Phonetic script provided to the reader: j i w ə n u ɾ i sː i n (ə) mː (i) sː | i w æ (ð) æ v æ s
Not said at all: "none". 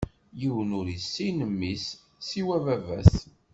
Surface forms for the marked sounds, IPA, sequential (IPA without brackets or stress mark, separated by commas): ə, i, v